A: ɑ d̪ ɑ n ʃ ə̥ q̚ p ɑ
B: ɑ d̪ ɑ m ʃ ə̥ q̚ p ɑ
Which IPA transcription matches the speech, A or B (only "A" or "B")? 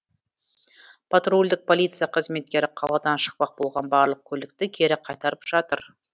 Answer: A